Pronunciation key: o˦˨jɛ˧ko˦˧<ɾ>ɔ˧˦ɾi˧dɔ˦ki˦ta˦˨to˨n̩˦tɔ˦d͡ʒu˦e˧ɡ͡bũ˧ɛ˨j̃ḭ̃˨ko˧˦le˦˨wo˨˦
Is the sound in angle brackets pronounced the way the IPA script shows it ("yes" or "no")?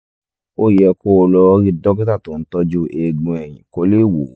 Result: no